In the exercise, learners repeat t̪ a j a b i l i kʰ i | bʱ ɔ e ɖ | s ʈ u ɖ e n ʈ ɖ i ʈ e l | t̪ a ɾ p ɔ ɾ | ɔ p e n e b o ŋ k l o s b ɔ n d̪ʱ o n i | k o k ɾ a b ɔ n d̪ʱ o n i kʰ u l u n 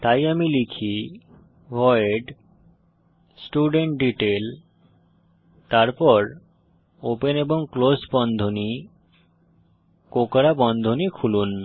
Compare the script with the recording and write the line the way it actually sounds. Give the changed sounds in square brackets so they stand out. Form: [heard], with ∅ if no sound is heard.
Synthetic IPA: t̪ a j a [m] i l i kʰ i | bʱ ɔ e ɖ | s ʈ u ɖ e [ɳ] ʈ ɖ i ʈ e l | t̪ a ɾ p ɔ ɾ | [o] p e n e b o ŋ k l o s b ɔ n d̪ʱ o n i | k o k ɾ a b ɔ n d̪ʱ o n i kʰ u l u n